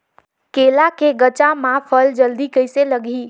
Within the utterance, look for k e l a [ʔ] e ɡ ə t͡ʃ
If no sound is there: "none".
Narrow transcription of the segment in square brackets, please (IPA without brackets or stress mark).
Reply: k